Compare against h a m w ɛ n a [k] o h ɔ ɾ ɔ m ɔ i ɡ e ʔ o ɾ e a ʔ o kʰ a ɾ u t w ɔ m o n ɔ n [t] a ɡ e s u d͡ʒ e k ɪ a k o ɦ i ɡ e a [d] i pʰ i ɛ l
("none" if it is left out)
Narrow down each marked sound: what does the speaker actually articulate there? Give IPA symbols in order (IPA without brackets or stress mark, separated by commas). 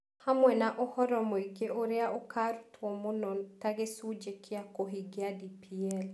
ʔ, t, d